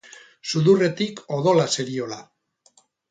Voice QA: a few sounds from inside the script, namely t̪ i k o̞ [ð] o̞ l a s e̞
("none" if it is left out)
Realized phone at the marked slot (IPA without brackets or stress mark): ð